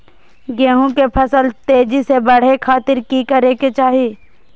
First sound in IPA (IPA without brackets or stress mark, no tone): ɡ